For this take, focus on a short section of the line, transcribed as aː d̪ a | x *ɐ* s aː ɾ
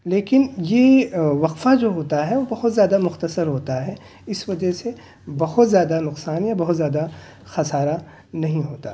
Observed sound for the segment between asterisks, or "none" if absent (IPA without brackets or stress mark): ɐ